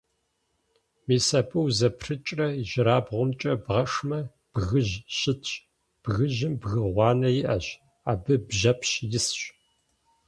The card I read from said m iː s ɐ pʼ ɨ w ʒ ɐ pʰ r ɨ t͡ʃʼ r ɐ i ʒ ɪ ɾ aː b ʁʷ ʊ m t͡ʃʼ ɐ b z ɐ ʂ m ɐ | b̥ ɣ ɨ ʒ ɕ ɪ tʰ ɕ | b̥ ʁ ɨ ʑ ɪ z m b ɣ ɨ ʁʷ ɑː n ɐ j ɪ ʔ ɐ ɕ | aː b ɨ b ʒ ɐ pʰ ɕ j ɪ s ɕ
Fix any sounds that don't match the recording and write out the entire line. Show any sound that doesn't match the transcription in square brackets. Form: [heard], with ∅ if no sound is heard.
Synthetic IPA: m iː s ɐ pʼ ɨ w [z] ɐ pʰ r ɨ t͡ʃʼ r ɐ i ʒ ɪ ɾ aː b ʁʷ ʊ m t͡ʃʼ ɐ b [ʁ] ɐ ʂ m ɐ | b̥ ɣ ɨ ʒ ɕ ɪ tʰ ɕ | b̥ [ɣ] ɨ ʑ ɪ [∅] m b ɣ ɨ ʁʷ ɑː n ɐ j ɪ ʔ ɐ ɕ | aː b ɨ b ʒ ɐ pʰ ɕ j ɪ s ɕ